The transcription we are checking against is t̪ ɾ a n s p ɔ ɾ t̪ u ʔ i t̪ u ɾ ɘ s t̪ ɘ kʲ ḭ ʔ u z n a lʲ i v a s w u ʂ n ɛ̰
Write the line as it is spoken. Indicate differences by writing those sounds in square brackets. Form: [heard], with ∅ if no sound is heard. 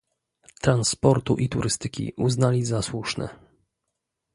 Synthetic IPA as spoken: t̪ ɾ a n s p ɔ ɾ t̪ u ʔ i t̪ u ɾ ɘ s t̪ ɘ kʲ ḭ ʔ u z n a lʲ i [z] a s w u ʂ n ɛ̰